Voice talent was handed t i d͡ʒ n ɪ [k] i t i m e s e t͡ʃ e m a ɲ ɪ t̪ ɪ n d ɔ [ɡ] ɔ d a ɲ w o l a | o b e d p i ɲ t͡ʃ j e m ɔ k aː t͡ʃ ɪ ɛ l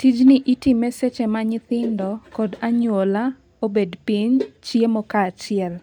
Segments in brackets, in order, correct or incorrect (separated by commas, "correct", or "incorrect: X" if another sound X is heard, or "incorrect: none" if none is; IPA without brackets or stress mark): incorrect: ʔ, incorrect: k